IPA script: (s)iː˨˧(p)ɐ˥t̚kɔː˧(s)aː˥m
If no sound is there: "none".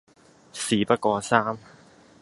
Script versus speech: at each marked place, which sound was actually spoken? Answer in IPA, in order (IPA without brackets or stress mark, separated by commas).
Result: s, p, s